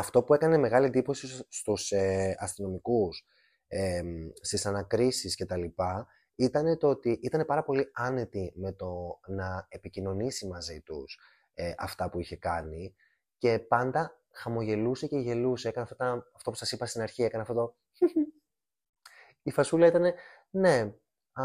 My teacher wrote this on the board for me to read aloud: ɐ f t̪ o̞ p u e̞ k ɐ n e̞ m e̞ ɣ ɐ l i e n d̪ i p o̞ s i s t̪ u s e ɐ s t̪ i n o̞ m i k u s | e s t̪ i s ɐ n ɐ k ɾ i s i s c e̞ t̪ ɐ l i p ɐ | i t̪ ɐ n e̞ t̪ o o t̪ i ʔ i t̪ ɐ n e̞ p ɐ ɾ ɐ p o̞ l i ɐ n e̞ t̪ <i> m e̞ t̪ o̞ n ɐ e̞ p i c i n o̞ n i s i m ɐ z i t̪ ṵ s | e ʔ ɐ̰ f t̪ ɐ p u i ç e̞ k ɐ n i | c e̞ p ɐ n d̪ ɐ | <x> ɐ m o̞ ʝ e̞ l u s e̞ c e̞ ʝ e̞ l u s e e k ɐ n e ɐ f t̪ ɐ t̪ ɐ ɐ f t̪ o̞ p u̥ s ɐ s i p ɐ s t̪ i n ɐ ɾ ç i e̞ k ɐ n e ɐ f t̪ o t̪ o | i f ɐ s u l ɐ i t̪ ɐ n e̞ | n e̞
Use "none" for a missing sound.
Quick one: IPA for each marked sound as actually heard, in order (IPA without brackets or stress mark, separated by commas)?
i, x